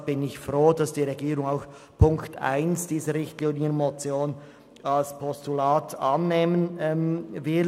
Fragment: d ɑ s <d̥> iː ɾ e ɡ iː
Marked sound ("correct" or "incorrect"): correct